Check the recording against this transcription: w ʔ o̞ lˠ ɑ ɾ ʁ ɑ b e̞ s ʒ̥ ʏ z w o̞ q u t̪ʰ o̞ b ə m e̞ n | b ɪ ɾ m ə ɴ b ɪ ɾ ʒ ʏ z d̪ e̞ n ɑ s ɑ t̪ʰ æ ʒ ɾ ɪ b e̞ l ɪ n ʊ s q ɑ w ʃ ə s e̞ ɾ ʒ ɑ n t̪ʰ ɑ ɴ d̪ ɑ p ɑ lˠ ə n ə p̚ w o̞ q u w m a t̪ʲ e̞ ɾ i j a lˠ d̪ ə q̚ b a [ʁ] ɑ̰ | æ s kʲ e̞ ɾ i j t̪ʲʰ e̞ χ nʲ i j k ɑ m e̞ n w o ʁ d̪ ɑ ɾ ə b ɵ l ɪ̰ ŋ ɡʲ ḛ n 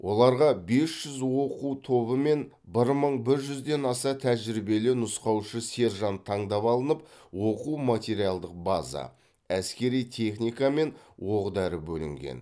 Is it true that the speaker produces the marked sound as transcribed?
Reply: no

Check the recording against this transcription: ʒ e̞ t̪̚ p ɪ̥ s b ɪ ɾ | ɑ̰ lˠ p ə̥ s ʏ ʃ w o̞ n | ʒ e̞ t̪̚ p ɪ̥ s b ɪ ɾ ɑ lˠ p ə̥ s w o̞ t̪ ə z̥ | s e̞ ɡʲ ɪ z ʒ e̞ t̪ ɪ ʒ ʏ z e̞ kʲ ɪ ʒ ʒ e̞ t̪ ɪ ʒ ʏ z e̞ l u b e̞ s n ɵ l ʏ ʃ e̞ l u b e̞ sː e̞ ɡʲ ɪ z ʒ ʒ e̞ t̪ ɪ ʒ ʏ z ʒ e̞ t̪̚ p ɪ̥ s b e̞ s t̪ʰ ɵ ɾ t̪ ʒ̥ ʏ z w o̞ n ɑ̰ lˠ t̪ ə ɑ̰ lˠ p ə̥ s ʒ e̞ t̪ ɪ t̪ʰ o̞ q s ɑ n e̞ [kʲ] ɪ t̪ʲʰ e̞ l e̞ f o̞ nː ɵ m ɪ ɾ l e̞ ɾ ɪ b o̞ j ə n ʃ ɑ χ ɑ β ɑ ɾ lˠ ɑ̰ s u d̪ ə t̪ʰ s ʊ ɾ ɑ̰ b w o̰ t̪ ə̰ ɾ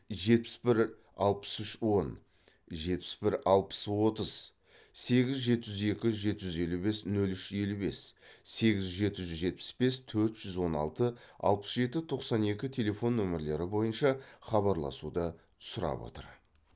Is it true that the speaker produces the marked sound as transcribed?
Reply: yes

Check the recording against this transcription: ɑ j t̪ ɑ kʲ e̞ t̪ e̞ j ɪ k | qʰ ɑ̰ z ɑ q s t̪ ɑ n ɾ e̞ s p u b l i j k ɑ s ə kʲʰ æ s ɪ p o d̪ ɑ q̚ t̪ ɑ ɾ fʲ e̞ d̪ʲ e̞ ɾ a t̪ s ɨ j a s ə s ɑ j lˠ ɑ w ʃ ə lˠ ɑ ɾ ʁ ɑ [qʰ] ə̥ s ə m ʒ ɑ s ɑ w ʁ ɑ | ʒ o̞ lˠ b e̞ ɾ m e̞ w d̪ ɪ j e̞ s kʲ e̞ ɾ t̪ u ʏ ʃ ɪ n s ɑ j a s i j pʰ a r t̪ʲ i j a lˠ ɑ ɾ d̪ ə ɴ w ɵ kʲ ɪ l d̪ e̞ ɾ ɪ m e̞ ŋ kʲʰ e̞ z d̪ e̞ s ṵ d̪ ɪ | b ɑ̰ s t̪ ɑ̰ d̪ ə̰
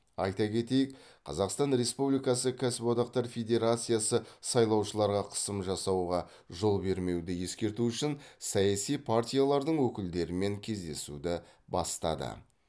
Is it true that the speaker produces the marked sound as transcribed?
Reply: yes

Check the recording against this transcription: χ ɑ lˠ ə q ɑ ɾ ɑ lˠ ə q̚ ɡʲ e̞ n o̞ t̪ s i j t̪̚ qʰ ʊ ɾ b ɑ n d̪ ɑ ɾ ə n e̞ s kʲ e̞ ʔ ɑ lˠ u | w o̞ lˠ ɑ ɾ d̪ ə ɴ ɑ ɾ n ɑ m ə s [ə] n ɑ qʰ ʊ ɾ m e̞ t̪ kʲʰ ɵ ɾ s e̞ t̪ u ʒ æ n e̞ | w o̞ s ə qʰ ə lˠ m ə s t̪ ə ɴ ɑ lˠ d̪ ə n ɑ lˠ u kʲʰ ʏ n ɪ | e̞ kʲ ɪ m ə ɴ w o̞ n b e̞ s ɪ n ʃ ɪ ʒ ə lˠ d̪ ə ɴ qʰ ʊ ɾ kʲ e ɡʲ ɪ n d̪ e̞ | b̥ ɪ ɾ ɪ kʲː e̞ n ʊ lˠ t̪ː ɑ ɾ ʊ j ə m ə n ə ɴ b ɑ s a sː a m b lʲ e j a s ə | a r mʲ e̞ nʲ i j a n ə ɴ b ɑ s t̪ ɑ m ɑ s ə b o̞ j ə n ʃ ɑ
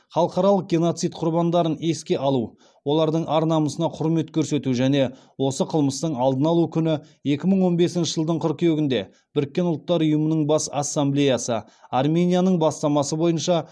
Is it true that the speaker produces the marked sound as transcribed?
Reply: yes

